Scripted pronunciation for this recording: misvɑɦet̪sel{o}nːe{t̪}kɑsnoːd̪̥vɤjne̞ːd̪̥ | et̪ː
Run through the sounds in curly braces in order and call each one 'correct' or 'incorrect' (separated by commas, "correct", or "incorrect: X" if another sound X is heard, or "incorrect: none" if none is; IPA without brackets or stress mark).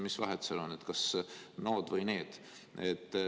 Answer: correct, correct